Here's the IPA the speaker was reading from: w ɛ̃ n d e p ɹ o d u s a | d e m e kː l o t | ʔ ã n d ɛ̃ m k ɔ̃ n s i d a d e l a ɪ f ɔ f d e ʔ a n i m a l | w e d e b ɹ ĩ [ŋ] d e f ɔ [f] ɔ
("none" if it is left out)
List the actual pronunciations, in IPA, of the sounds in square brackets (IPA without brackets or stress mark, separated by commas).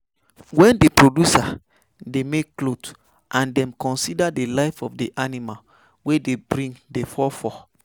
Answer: ŋ, f